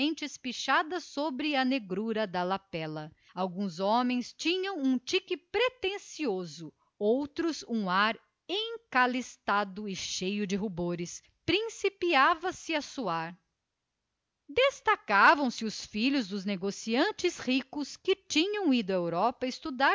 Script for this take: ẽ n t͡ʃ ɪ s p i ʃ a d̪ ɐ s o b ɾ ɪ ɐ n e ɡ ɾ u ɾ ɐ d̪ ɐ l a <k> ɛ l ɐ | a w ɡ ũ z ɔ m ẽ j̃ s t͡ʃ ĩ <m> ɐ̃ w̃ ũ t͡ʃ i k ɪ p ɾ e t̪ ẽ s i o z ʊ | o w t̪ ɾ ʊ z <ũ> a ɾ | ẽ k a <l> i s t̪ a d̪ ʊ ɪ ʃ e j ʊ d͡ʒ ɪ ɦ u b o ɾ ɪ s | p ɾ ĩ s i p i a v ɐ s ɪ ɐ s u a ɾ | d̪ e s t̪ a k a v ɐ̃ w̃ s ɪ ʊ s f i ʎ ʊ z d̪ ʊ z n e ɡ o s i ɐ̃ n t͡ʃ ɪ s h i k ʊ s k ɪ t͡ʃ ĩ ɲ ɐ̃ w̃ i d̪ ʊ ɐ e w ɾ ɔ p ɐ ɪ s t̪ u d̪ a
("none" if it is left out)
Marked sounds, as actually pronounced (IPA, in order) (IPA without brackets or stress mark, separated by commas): p, ɲ, ũ, l